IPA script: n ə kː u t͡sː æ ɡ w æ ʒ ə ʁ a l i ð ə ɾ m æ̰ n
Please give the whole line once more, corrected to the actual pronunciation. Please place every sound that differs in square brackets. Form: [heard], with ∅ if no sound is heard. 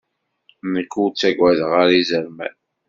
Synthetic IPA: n ə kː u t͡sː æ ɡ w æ [ð] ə ʁ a [ɾ] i [z] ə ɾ m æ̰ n